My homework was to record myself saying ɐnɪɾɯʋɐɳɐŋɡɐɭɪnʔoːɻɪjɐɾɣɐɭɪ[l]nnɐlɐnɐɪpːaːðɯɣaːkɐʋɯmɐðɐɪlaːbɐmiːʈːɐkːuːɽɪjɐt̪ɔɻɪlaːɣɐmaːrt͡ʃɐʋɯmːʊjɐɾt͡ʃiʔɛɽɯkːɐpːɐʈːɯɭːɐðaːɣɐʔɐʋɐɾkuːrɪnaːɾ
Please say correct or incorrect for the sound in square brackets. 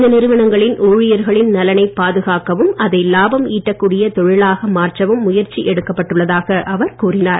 incorrect: none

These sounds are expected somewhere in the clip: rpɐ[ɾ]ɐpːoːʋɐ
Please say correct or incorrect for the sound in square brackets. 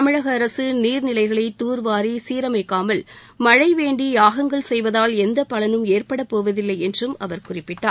incorrect: ɽ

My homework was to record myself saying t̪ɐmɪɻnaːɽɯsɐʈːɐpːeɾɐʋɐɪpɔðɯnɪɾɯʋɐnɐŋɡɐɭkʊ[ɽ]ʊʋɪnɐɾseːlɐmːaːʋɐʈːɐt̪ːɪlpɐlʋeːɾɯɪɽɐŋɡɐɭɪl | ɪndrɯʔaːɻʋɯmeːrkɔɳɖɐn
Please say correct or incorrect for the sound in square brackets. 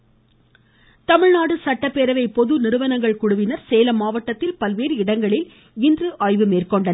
correct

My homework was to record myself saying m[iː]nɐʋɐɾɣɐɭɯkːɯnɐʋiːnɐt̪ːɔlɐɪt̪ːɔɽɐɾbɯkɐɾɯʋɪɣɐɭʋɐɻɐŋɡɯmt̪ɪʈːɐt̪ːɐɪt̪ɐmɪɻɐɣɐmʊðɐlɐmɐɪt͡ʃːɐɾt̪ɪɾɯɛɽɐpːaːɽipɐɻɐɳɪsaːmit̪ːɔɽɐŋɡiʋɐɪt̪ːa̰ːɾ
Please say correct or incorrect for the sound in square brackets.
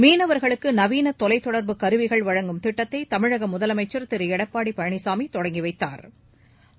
correct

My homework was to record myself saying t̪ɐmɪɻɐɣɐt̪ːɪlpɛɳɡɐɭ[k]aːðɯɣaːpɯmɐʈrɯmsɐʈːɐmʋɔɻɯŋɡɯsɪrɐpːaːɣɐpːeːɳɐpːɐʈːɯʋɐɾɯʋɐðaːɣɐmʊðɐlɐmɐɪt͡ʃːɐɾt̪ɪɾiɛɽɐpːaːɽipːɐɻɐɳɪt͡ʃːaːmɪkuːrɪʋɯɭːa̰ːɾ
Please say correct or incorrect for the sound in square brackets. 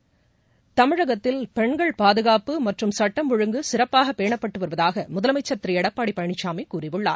incorrect: p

